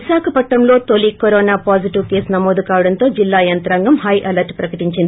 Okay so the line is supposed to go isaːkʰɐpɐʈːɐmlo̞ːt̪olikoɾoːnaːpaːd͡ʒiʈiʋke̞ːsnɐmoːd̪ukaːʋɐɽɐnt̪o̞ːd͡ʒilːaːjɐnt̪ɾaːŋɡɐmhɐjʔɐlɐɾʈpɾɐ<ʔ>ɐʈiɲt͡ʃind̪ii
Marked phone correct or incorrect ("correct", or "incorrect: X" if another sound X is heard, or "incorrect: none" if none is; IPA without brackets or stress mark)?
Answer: incorrect: k